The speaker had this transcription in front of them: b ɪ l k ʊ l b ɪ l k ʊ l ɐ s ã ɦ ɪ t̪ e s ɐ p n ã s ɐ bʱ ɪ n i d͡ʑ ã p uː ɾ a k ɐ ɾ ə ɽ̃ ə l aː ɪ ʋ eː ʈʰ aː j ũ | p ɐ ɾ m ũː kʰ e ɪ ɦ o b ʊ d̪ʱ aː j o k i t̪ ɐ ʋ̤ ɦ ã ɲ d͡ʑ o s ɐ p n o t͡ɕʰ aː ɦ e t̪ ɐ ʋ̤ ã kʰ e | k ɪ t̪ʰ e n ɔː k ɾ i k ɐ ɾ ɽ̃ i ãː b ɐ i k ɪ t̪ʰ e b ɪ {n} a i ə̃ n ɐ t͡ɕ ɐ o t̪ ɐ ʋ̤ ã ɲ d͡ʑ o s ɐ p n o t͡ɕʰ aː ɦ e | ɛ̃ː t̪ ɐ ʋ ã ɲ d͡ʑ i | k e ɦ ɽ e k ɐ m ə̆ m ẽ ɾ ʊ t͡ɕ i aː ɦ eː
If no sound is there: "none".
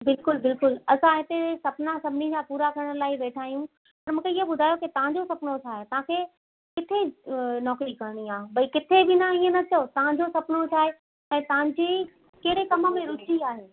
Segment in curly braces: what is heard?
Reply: n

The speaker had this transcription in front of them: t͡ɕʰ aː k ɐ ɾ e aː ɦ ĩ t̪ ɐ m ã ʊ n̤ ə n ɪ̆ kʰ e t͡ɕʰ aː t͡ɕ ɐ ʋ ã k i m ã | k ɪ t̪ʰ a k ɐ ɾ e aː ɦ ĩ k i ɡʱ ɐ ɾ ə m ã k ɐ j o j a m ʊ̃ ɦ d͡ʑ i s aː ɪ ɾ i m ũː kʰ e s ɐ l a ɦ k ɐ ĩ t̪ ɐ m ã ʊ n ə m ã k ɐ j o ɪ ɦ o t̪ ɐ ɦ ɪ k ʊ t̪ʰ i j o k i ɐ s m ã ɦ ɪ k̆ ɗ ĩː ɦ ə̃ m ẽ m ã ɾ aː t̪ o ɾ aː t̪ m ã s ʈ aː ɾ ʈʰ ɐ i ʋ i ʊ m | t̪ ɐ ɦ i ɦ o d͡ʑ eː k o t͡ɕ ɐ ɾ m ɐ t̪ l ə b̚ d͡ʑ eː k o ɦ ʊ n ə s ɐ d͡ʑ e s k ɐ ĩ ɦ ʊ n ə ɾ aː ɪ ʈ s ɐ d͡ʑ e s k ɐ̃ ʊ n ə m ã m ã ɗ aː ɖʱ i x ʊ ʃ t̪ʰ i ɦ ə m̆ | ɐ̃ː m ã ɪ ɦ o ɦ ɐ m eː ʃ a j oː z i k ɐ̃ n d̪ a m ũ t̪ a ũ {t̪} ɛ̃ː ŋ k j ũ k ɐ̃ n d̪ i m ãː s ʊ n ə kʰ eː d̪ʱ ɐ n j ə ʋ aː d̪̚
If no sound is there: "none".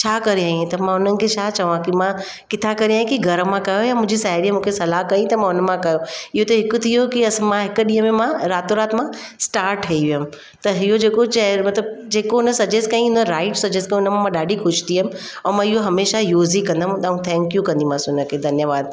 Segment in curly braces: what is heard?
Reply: t̪ʰ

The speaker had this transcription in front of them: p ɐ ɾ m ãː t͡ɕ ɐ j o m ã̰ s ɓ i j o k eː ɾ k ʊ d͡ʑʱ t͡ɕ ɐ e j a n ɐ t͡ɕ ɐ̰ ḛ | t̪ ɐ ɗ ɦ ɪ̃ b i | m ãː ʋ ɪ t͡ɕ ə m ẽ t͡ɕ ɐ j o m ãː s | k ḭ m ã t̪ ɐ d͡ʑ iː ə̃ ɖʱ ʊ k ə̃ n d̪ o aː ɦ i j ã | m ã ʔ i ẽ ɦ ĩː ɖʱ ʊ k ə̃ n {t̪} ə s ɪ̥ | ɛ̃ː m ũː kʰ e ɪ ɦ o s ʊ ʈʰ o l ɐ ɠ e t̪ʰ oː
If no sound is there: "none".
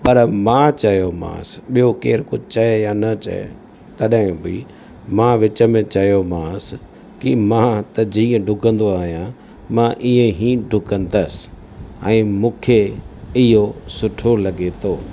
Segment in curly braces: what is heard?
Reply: d̪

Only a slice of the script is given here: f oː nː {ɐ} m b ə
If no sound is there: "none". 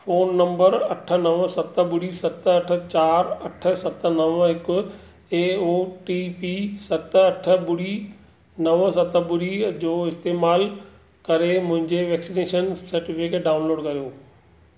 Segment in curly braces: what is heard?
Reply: ɐ̃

